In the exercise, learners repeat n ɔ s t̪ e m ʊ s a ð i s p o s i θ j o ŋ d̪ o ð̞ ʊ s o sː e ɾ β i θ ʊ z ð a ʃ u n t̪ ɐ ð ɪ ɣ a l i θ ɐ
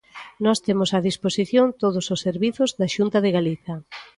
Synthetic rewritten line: n ɔ s t̪ e m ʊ s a ð i s p o s i θ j o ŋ t̪ o ð̞ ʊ s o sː e ɾ β i θ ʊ z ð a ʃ u n t̪ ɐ ð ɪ ɣ a l i θ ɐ